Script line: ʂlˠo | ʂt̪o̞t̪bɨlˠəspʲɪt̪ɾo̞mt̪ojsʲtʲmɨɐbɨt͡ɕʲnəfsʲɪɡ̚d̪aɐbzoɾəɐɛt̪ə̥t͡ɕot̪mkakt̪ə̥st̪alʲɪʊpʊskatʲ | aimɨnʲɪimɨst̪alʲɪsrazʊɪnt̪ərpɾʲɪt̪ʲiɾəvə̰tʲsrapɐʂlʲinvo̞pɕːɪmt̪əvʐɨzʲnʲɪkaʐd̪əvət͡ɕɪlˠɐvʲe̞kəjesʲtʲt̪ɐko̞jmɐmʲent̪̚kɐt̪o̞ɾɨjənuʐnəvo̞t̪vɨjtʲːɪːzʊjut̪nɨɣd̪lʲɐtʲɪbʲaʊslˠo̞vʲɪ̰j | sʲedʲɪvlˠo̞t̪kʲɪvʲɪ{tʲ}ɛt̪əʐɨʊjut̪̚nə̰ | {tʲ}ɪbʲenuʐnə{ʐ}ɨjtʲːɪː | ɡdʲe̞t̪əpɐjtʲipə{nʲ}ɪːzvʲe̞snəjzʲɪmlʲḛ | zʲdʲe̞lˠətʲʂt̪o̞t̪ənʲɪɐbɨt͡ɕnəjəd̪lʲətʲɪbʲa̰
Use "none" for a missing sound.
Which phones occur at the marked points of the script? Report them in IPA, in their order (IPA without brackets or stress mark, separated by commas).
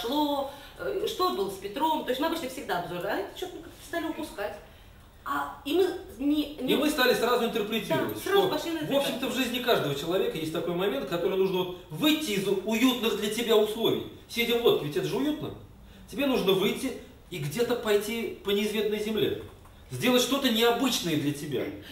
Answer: tʲ, tʲ, v, nʲ